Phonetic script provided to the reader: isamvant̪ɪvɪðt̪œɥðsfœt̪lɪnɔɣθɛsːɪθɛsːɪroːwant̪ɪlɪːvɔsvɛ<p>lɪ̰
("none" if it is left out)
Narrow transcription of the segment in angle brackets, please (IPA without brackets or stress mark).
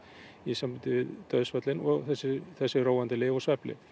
p